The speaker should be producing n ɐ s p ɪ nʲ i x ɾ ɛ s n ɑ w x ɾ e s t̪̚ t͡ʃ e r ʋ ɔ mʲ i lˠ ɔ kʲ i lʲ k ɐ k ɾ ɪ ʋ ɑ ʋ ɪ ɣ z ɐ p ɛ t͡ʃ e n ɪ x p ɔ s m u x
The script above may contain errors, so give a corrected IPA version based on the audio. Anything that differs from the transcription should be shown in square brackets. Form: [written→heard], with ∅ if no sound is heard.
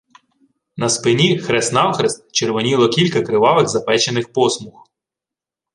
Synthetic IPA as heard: n ɐ s p ɪ nʲ i x ɾ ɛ s n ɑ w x ɾ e s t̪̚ t͡ʃ e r ʋ ɔ [mʲ→nʲ] i lˠ ɔ kʲ i lʲ k ɐ k ɾ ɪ ʋ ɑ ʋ ɪ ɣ z ɐ p ɛ t͡ʃ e n ɪ x p ɔ s m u x